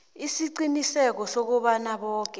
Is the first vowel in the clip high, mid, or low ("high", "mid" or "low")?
high